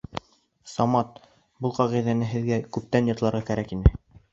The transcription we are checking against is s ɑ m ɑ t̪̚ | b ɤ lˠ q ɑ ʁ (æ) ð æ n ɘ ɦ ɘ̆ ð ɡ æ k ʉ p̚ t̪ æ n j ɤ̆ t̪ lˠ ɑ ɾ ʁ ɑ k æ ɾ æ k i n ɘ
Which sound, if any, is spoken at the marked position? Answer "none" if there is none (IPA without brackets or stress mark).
i